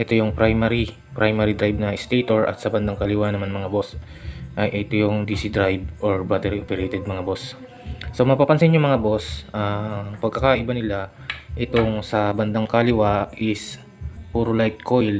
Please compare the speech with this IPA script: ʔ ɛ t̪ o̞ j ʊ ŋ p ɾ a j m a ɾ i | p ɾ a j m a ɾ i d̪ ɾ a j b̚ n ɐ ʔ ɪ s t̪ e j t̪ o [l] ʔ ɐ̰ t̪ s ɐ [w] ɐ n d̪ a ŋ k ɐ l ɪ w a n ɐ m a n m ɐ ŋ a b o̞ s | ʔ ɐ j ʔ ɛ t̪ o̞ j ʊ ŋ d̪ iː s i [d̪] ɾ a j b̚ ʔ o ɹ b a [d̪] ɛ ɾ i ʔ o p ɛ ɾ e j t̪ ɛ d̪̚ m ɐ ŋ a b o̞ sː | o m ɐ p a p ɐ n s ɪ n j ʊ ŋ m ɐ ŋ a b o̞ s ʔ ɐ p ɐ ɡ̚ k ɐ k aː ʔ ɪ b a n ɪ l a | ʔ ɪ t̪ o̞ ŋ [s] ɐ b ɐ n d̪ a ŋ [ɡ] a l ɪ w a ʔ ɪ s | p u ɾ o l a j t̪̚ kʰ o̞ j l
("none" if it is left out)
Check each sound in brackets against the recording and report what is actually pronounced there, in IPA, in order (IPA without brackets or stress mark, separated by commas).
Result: ɹ, b, d̪, t̪, s, k